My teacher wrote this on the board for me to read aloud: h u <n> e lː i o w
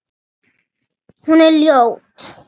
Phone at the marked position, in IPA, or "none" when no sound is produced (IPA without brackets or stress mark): n